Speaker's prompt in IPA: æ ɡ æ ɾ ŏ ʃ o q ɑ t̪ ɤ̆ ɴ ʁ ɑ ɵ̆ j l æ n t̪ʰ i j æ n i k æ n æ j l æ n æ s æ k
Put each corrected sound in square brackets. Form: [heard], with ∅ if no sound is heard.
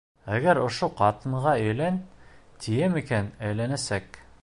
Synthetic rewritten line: æ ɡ æ ɾ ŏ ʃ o q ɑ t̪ ɤ̆ ɴ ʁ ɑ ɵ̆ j l æ n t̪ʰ i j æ [m] i k æ n æ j l æ n æ s æ k